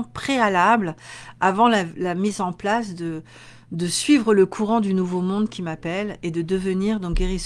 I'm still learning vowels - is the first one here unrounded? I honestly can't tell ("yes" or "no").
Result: yes